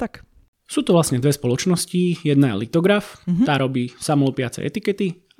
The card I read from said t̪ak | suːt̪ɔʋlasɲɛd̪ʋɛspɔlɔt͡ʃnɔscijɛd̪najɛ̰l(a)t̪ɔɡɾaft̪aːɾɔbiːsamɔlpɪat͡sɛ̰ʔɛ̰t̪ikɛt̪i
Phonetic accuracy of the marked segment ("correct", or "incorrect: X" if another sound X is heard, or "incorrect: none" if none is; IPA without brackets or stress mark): incorrect: i